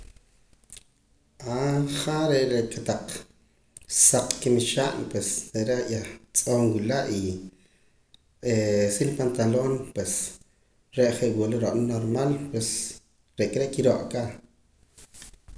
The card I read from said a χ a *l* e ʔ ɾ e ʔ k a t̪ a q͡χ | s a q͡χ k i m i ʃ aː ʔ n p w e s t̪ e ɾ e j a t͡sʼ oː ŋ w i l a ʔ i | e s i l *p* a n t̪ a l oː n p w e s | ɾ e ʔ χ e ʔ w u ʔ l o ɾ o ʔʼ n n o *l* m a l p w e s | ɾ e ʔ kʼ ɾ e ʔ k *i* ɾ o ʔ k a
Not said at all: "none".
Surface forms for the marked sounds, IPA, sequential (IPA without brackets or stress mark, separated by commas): ɾ, p, ɾ, i